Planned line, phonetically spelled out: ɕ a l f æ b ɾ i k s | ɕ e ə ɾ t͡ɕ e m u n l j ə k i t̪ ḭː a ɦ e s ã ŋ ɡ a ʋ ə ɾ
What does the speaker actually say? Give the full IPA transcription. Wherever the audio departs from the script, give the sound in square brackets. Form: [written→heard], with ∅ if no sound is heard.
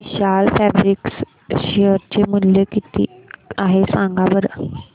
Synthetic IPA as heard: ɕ a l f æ b ɾ i k s | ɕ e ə ɾ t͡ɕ e m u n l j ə k i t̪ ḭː a ɦ e s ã ŋ ɡ a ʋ ə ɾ